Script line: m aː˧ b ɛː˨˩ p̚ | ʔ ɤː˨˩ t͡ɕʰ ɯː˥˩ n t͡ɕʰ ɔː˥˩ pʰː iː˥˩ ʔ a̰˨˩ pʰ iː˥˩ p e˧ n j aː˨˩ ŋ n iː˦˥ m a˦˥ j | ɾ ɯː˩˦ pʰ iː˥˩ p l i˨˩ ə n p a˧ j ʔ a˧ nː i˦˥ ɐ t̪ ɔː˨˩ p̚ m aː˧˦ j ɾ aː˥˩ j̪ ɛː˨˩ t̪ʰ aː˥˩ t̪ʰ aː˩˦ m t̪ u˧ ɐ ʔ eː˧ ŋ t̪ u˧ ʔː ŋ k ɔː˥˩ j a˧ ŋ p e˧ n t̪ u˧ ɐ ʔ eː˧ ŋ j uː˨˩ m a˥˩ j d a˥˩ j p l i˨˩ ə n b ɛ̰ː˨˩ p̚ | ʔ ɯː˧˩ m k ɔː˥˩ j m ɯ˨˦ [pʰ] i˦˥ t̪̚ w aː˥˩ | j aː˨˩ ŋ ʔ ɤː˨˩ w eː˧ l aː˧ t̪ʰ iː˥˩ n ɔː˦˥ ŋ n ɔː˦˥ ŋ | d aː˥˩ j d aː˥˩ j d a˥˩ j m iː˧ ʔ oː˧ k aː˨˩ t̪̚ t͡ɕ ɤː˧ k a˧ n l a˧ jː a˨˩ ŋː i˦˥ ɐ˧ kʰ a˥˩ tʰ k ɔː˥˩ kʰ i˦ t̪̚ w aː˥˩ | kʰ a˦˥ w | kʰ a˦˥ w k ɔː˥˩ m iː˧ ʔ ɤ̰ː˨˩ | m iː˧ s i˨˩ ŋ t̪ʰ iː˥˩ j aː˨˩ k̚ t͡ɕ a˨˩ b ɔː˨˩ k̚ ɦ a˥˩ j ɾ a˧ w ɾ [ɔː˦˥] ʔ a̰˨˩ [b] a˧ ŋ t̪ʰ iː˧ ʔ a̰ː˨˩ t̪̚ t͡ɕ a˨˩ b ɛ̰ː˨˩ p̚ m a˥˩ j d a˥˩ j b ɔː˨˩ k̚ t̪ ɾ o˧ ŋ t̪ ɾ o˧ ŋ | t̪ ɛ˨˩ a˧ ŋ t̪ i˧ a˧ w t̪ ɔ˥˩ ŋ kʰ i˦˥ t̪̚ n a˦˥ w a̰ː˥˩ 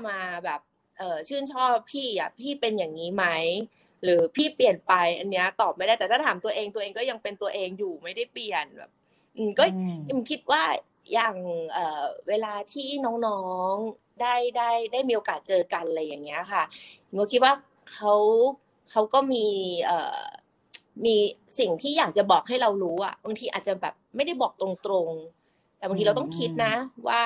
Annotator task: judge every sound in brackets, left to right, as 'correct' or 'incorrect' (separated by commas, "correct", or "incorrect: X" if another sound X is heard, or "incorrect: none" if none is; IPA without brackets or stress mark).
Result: incorrect: kʰ, incorrect: uː˦˥, correct